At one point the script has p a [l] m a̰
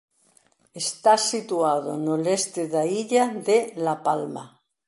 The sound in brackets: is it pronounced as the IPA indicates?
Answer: yes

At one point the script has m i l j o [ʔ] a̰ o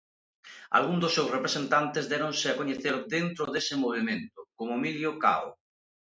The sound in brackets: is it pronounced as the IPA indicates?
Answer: no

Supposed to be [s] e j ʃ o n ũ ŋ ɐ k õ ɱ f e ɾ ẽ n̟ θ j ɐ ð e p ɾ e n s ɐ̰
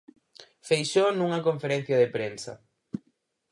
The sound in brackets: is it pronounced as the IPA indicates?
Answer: no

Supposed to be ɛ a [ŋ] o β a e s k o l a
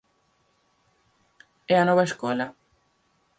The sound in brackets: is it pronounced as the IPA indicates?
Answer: no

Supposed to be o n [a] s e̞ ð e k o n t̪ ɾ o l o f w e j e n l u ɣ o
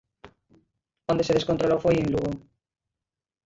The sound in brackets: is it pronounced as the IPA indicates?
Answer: no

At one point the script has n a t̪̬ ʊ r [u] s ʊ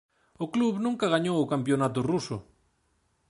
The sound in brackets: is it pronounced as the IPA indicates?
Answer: yes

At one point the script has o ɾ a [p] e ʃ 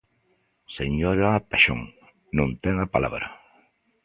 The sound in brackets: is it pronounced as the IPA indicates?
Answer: yes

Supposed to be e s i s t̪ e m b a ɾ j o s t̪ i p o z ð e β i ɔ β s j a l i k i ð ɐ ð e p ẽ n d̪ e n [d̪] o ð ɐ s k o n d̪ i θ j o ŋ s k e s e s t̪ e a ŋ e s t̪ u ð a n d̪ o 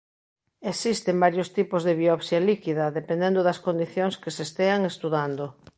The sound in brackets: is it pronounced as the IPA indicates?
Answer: yes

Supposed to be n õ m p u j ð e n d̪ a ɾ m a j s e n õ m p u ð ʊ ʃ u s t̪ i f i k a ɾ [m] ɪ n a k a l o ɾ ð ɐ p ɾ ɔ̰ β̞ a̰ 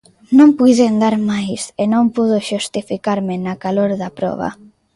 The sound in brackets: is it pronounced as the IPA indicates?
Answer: yes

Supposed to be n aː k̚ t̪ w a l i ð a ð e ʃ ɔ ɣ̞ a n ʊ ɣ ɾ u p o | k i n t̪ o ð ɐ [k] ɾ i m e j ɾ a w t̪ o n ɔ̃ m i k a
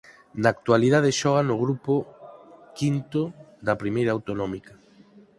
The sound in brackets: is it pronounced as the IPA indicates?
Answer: no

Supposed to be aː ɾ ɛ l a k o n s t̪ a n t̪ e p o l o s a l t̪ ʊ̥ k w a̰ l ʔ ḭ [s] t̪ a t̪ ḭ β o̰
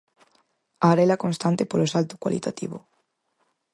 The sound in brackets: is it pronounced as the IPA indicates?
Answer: no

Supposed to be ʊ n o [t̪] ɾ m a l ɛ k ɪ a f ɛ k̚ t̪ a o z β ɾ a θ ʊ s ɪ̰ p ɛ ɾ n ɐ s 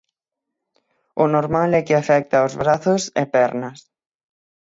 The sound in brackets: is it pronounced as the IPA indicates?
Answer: no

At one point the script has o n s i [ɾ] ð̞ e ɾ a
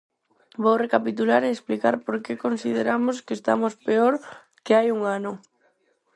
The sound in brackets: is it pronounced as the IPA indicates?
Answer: no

